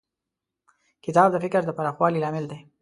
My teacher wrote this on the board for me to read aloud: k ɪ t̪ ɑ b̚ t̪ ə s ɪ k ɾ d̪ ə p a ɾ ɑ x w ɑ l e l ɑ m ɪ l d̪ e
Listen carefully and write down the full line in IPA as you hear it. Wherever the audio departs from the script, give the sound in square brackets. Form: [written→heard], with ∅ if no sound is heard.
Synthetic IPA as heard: k ɪ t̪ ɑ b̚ [t̪→d̪] ə [s→f] ɪ k ɾ d̪ ə p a ɾ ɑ x w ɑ l [e→i] l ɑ m ɪ l d̪ e